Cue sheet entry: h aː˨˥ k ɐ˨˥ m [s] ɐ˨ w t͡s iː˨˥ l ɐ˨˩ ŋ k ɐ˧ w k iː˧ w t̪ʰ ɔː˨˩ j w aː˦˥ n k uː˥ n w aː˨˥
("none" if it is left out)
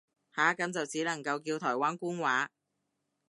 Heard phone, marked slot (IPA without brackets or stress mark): t͡s